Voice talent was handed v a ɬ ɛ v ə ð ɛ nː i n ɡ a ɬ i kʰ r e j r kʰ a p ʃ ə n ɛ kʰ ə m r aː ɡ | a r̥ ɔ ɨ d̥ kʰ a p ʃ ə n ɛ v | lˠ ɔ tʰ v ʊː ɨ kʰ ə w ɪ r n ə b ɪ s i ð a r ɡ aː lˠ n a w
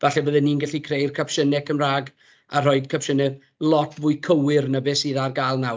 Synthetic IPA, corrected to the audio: v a ɬ ɛ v ə ð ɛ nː i n ɡ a ɬ i kʰ r e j r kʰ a p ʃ ə n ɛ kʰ ə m r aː ɡ | a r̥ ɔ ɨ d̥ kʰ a p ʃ ə n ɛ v | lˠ ɔ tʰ v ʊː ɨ kʰ ə w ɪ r n ə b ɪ s i ð a r ɡ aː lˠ n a w